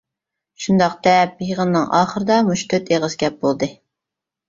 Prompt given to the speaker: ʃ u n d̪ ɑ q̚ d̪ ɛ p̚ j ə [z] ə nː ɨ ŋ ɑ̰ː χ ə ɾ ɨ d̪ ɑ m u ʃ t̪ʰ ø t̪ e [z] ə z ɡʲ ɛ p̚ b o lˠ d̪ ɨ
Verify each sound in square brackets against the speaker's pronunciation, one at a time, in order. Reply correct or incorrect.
incorrect: ʁ, incorrect: ʁ

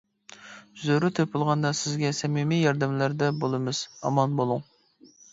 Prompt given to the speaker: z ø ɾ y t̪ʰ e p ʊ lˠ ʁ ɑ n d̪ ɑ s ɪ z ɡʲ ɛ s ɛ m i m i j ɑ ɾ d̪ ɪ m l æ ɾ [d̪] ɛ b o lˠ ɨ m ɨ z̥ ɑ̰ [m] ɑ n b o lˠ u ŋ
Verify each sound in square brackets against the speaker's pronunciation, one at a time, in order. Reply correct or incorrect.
correct, correct

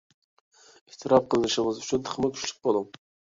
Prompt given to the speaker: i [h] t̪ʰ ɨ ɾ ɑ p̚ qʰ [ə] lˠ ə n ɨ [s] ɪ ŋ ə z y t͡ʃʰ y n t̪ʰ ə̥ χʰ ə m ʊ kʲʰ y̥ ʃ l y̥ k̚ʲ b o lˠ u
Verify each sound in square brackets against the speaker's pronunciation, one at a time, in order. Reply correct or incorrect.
correct, correct, incorrect: ʃ

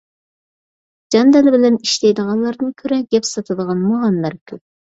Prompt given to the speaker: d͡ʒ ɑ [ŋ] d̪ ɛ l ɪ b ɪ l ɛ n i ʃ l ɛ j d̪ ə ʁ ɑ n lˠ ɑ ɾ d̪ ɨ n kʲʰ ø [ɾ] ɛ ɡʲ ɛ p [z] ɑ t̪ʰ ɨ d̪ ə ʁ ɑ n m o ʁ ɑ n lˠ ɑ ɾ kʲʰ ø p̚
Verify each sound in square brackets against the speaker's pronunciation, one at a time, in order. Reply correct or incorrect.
incorrect: n, correct, incorrect: s

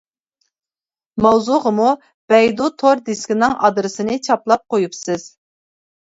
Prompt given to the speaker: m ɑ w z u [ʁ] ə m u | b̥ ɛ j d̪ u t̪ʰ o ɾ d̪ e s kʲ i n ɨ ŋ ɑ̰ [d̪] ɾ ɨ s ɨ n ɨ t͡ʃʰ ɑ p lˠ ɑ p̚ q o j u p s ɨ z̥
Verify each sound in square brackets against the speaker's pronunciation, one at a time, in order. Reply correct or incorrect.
correct, correct

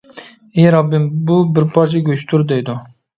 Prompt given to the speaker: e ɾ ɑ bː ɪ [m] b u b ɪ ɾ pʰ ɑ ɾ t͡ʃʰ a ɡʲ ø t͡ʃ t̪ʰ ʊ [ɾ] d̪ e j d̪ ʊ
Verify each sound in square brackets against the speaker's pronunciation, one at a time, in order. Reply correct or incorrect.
correct, correct

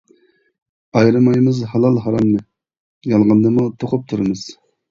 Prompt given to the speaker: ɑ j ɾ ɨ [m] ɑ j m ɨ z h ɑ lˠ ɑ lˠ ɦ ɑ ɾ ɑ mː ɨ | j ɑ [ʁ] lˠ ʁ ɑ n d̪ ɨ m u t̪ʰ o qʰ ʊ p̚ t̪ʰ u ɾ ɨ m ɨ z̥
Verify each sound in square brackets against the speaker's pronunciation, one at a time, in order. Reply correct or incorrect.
correct, incorrect: none

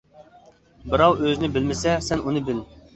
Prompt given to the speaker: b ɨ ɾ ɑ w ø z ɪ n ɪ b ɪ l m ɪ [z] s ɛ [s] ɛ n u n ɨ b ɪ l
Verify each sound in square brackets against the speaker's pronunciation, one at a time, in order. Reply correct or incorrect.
incorrect: none, correct

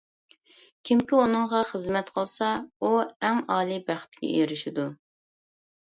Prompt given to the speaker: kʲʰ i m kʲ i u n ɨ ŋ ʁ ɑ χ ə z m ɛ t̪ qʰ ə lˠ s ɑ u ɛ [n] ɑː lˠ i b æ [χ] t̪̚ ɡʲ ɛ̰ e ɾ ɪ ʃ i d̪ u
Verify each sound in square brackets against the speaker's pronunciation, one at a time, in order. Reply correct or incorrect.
incorrect: ŋ, correct

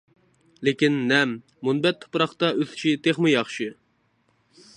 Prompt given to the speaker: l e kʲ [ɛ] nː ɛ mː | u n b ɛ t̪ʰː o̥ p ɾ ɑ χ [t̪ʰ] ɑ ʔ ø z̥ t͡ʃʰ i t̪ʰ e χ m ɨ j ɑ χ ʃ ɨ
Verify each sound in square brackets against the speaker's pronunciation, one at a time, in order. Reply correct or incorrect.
incorrect: i, incorrect: t̪

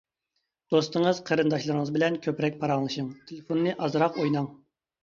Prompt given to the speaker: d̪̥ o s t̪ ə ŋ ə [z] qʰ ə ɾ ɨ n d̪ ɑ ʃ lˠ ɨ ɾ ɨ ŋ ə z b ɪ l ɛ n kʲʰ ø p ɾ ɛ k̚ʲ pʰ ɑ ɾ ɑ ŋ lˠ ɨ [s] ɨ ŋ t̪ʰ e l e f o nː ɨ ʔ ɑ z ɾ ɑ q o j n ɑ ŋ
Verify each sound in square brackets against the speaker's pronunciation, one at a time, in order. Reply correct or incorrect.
correct, incorrect: ʃ

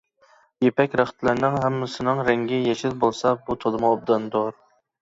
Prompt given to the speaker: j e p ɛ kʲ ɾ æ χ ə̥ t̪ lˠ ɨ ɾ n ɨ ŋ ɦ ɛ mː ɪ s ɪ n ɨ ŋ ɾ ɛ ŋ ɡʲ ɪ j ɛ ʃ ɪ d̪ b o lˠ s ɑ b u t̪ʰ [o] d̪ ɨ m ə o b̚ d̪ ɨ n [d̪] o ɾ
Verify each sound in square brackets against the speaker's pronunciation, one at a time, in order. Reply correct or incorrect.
correct, correct

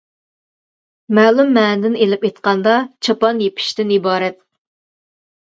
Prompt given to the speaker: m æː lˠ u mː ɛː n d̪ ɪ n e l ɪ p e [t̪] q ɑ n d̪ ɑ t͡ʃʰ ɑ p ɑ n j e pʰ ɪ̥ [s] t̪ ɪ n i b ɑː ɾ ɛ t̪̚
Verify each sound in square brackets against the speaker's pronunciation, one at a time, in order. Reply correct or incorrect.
correct, incorrect: ʃ

